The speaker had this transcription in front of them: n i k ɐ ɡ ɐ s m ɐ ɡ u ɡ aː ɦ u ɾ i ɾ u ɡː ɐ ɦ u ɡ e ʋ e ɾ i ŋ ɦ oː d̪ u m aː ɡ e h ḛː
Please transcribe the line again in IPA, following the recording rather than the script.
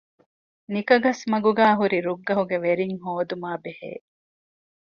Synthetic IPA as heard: n i k ɐ ɡ ɐ s m ɐ ɡ u ɡ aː ɦ u ɾ i ɾ u ɡː ɐ ɦ u ɡ e ʋ e ɾ i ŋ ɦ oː d̪ u m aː b e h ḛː